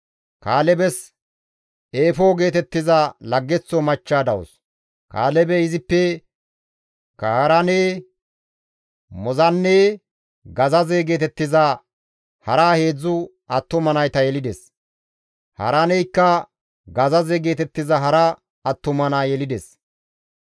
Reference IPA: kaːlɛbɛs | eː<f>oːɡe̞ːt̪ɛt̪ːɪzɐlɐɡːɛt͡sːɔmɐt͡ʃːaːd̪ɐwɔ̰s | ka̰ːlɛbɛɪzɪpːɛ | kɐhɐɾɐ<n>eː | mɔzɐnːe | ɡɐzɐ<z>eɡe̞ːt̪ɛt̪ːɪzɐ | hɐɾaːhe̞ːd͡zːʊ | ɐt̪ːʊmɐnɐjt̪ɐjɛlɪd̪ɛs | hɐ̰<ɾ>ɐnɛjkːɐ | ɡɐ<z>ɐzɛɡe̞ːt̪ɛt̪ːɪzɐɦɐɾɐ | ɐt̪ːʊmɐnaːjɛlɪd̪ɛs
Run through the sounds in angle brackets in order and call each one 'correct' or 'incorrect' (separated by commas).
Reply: correct, correct, correct, correct, correct